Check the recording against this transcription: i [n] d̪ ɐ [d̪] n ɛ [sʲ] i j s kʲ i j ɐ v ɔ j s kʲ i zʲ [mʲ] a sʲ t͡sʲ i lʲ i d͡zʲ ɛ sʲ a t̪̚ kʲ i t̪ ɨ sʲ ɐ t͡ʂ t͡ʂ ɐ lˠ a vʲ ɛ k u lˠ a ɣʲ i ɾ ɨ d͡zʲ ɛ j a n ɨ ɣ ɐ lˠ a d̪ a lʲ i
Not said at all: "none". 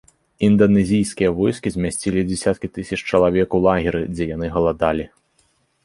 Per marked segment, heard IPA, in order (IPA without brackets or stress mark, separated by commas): n, none, zʲ, mʲ